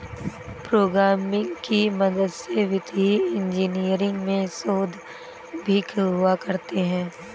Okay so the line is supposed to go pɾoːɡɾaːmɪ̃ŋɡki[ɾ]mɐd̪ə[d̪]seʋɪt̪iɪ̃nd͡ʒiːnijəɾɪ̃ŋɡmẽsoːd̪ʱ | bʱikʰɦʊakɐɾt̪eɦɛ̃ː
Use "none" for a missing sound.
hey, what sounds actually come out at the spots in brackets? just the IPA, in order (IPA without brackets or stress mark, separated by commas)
none, d̪